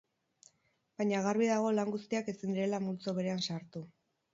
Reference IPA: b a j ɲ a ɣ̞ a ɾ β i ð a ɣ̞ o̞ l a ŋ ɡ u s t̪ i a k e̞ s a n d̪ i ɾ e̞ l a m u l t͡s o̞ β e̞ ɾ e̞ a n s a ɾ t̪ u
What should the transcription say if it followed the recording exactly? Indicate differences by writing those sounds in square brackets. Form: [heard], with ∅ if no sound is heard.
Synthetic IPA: b a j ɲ a ɣ̞ a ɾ β i ð a ɣ̞ o̞ l a ŋ ɡ u s t̪ i a k e̞ s [i] n d̪ i ɾ e̞ l a m u l t͡s o̞ β e̞ ɾ e̞ a n s a ɾ t̪ u